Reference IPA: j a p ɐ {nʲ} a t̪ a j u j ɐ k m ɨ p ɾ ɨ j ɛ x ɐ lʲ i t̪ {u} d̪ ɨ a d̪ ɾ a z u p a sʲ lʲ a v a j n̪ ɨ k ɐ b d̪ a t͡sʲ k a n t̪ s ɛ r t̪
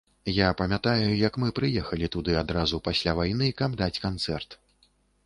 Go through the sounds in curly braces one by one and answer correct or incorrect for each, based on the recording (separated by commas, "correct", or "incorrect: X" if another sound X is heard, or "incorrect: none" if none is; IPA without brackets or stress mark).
incorrect: mʲ, correct